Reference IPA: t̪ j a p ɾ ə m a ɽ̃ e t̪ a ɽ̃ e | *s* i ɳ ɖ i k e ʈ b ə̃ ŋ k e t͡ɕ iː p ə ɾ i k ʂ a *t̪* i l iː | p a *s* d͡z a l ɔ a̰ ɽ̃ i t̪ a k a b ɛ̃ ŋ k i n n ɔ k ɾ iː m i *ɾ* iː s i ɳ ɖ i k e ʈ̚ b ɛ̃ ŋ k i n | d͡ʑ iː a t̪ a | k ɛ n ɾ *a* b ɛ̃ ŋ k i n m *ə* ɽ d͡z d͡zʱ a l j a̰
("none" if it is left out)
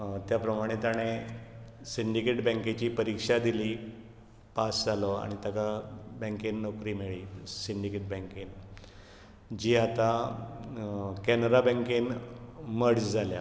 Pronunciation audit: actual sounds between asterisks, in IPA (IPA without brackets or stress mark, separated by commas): s, d̪, s, ɭ, a, ə